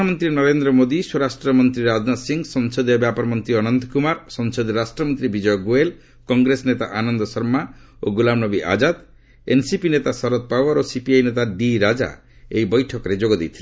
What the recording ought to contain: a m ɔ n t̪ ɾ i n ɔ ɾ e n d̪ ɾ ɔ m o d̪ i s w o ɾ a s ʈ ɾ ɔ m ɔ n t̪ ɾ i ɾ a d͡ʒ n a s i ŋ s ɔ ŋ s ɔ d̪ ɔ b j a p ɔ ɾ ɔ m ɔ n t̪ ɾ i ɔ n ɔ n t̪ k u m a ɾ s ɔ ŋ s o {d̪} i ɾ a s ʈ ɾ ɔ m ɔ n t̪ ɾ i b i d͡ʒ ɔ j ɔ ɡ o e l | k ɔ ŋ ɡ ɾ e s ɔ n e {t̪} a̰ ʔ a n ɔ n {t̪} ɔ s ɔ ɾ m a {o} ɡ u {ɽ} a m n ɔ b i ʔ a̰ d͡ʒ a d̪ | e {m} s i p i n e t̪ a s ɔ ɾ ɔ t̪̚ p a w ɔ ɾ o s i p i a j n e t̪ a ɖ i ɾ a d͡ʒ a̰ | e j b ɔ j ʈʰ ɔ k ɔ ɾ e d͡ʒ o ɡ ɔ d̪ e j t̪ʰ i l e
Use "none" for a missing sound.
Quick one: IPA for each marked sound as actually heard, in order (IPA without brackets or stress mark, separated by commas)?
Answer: d̪, t̪, d̪, o, l, n